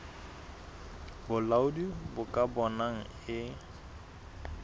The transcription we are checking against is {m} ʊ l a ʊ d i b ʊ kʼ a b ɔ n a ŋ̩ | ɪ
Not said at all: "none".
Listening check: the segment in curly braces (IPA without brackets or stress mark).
b